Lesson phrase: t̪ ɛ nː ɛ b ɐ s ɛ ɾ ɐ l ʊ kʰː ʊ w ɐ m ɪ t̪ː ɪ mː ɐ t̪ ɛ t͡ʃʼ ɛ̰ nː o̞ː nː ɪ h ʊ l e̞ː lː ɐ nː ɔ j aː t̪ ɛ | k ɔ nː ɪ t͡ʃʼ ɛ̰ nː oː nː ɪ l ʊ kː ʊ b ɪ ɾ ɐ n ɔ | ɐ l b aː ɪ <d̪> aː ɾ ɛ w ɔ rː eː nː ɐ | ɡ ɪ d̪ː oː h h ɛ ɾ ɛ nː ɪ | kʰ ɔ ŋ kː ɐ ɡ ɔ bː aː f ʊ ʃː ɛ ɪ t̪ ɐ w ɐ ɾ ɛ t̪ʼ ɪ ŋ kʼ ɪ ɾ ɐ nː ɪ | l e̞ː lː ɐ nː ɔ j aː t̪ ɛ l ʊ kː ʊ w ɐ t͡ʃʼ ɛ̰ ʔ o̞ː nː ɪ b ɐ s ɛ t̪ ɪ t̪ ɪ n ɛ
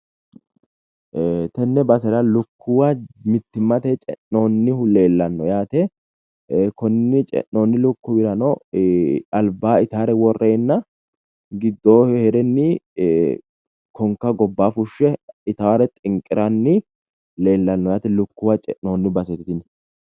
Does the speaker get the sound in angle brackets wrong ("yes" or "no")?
yes